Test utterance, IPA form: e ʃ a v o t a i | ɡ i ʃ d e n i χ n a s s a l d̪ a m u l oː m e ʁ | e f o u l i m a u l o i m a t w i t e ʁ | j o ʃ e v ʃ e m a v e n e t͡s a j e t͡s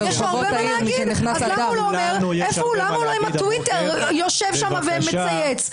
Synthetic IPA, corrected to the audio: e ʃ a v o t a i | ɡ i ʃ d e n i χ n a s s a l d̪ a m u l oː m e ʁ | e f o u l a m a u l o i m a t w i t e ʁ | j o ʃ e v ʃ a m a v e m e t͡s a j e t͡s